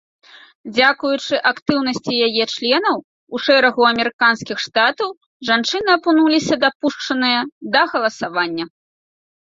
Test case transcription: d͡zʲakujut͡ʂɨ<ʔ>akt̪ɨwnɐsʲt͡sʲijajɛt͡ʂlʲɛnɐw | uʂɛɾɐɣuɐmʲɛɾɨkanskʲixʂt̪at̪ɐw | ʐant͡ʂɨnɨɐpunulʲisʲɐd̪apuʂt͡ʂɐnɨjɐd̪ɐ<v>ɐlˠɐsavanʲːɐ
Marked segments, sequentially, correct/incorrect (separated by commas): correct, incorrect